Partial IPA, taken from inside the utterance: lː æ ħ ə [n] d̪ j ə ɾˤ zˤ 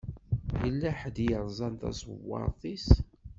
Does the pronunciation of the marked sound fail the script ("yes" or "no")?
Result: yes